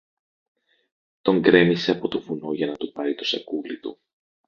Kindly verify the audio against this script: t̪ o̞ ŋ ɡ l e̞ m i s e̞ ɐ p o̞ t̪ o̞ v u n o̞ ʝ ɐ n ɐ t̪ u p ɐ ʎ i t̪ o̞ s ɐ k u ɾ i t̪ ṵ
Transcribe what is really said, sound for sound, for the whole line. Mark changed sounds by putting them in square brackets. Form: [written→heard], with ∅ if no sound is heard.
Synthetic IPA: t̪ o̞ ŋ ɡ [l→ɾ] e̞ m i s e̞ ɐ p o̞ t̪ o̞ v u n o̞ ʝ ɐ n ɐ t̪ u p ɐ [ʎ→ɾ] i t̪ o̞ s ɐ k u [ɾ→l] i t̪ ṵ